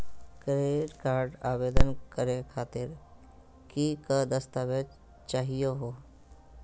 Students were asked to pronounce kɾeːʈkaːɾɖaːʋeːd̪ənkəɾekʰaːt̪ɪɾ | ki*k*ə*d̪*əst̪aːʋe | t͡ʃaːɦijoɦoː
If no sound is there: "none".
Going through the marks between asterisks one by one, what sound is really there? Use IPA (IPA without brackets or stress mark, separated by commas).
k, d̪